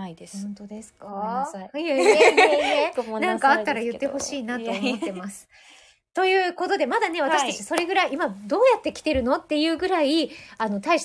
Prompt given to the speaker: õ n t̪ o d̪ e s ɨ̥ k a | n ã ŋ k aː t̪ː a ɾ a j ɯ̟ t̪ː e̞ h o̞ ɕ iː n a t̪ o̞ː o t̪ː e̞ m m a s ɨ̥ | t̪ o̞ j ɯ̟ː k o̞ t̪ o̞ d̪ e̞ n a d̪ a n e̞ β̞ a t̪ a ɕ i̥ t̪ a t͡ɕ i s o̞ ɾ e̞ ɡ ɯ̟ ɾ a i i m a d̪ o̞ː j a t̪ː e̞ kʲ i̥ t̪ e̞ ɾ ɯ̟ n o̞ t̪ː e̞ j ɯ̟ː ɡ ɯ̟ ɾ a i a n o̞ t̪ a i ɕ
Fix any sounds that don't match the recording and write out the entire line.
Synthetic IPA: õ n t̪ o d̪ e s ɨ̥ k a | n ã ŋ k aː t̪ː a ɾ a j ɯ̟ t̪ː e̞ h o̞ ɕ iː n a t̪ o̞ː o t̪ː e̞ m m a s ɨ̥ | t̪ o̞ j ɯ̟ː k o̞ t̪ o̞ d̪ e̞ m a d̪ a n e̞ β̞ a t̪ a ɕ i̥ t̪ a t͡ɕ i s o̞ ɾ e̞ ɡ ɯ̟ ɾ a i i m a d̪ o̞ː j a t̪ː e̞ kʲ i̥ t̪ e̞ ɾ ɯ̟ n o̞ t̪ː e̞ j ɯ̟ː ɡ ɯ̟ ɾ a i a n o̞ t̪ a i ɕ